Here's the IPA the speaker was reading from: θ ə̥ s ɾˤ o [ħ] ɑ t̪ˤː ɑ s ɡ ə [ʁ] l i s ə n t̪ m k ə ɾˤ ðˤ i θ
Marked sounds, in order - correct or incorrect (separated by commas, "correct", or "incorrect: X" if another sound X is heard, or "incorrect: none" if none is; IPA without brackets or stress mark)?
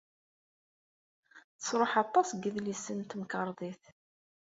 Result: correct, incorrect: ð